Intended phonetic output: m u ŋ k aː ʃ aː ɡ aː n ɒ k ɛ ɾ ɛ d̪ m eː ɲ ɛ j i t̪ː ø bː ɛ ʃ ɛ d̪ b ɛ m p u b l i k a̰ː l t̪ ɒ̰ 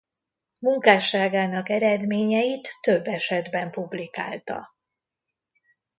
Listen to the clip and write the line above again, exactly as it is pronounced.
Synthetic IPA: m u ŋ k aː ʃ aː ɡ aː n ɒ k ɛ ɾ ɛ d̪ m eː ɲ ɛ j i t̪ː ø bː ɛ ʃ ɛ d̪ b ɛ m p u b l i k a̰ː l t̪ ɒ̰